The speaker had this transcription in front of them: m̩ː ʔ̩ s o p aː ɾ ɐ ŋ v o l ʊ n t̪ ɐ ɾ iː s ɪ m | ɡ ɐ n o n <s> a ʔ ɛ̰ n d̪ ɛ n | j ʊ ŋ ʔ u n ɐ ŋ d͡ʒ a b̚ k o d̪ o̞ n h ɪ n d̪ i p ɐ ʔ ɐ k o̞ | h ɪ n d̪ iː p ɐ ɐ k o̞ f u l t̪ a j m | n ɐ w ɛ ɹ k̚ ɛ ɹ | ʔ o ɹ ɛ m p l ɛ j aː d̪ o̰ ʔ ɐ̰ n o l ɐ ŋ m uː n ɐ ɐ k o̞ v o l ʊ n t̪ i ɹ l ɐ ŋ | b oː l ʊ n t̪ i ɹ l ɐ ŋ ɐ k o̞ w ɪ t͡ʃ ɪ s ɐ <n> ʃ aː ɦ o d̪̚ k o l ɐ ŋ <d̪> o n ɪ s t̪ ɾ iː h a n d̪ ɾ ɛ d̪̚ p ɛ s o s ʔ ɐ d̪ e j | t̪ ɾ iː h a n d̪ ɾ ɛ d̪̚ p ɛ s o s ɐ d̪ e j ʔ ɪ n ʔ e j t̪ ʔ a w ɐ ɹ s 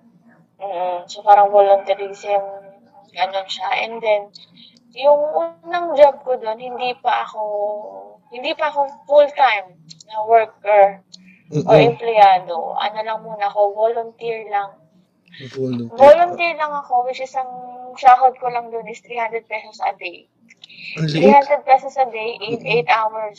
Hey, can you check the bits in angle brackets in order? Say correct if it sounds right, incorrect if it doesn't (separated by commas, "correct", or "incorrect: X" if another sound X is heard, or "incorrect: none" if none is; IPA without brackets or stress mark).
incorrect: ʃ, incorrect: ŋ, correct